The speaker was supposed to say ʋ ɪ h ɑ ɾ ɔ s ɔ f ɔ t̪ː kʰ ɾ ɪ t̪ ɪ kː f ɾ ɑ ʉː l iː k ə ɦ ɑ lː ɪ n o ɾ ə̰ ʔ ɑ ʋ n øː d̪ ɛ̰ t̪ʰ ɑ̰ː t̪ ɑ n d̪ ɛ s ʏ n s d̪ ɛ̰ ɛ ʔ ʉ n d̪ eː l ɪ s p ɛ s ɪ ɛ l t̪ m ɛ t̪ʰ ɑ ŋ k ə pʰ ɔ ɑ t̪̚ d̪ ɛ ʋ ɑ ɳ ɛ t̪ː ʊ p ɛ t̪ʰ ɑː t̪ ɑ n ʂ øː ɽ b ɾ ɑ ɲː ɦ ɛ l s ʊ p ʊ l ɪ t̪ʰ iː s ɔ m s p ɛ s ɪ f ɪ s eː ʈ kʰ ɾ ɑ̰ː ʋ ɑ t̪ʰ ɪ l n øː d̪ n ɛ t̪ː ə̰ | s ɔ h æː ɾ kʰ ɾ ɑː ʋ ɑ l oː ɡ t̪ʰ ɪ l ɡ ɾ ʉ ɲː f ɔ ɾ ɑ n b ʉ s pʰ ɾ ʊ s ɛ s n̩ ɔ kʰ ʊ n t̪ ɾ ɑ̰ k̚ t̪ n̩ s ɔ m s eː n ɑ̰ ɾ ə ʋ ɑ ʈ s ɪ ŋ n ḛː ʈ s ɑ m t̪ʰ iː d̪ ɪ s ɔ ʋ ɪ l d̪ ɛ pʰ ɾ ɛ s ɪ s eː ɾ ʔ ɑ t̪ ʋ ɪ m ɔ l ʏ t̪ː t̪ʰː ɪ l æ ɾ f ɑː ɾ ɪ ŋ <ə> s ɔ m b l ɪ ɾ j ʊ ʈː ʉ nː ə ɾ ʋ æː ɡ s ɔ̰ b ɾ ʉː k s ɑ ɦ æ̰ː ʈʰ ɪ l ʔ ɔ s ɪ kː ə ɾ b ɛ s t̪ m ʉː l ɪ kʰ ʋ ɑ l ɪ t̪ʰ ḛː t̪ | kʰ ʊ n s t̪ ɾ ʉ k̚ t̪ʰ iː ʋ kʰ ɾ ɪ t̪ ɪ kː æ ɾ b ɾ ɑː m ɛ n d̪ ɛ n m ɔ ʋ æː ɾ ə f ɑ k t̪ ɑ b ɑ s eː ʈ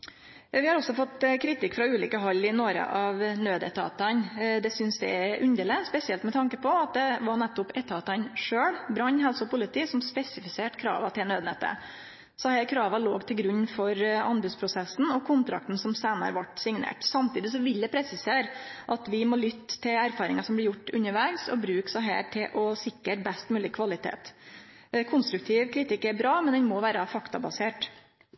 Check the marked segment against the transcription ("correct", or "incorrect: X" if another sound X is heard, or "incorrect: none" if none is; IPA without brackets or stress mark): incorrect: ɑ